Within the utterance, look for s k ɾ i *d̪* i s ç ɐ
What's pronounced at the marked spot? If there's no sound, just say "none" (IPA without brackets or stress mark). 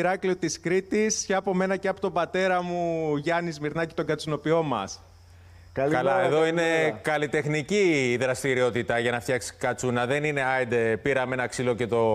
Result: t̪